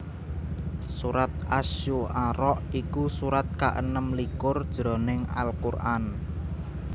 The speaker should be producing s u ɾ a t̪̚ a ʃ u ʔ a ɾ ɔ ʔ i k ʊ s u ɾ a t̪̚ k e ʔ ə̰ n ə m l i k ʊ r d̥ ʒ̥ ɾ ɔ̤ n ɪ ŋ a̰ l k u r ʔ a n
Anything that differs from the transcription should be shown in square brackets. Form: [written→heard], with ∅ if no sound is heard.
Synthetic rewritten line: s u ɾ a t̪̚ a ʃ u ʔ a ɾ ɔ ʔ i k [ʊ→u] s u ɾ a t̪̚ k [e→a] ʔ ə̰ n ə m l i k ʊ r d̥ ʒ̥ ɾ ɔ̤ n ɪ ŋ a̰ l k u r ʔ a n